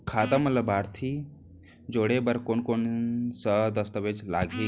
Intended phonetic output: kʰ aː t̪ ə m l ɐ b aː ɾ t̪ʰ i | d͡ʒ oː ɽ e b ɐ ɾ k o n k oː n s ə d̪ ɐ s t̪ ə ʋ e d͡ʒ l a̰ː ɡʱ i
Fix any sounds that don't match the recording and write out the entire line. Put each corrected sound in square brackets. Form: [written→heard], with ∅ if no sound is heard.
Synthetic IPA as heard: kʰ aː t̪ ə m l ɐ b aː ɾ t̪ʰ i | d͡ʒ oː ɽ e b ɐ ɾ k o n k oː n s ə d̪ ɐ s t̪ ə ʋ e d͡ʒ l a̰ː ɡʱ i